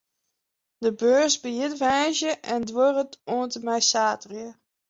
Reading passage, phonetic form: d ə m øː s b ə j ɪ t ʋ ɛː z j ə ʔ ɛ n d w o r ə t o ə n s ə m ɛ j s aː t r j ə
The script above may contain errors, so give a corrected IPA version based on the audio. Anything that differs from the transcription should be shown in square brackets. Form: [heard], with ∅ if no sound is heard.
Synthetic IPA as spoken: d ə [b] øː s b ə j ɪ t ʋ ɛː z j ə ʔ ɛ n d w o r ə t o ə n [t] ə m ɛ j s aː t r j ə